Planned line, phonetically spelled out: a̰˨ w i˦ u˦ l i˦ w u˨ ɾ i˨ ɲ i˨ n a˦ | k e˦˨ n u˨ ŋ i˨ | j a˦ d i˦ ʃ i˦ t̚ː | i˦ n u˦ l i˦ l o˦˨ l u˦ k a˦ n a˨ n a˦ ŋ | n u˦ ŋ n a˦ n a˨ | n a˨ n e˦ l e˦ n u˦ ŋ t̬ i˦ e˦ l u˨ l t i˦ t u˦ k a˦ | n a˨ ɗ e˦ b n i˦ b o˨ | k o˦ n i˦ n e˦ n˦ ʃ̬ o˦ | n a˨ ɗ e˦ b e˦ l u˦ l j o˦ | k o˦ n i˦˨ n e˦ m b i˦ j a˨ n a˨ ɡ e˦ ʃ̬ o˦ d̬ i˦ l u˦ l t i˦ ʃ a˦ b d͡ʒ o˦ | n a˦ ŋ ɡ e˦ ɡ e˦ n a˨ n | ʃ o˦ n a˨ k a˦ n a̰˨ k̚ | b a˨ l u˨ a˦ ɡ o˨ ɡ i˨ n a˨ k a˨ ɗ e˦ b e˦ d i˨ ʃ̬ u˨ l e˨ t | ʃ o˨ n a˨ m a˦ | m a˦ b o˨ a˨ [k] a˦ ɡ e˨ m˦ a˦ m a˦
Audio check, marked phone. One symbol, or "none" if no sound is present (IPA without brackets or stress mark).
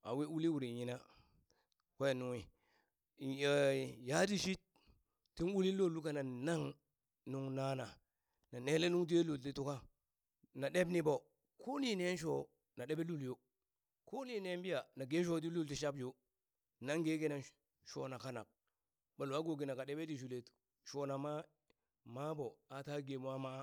t